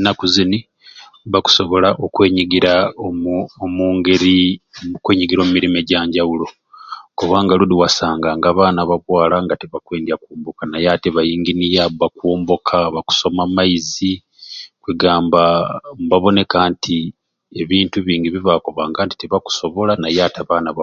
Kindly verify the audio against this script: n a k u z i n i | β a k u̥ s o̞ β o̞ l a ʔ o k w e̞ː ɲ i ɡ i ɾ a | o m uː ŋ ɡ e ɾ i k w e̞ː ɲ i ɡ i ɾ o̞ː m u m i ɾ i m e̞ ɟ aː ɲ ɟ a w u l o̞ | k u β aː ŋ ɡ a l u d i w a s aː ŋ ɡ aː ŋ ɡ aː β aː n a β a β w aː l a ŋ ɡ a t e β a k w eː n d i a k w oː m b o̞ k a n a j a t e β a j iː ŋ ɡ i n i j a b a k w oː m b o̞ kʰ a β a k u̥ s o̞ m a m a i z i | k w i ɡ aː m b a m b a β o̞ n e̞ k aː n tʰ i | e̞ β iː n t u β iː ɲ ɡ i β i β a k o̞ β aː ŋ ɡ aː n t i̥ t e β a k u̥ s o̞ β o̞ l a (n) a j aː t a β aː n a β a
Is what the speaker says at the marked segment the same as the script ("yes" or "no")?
yes